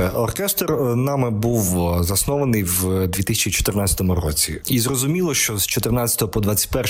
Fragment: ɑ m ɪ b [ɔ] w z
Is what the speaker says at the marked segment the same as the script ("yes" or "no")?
no